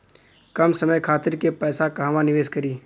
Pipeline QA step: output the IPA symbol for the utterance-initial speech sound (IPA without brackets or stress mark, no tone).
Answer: k